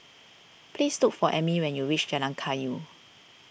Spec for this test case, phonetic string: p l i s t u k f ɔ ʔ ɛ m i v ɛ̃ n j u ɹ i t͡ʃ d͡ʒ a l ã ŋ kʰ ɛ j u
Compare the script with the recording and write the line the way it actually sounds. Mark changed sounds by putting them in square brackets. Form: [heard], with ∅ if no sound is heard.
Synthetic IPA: p l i s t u k f ɔ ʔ ɛ m i [w] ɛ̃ n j u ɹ i t͡ʃ d͡ʒ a l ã ŋ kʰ [a] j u